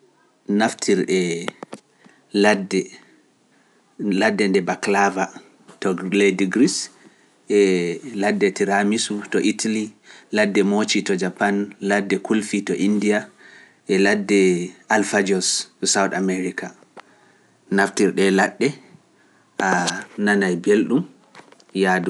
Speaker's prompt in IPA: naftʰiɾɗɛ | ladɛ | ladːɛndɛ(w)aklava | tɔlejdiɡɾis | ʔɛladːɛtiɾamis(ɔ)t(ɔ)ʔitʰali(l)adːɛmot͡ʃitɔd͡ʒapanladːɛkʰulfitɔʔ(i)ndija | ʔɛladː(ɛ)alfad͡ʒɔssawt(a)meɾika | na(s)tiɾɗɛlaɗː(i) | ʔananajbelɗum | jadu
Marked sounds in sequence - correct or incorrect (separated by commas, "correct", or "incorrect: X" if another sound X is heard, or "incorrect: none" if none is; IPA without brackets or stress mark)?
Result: incorrect: b, incorrect: u, correct, correct, correct, correct, correct, incorrect: f, incorrect: ɛ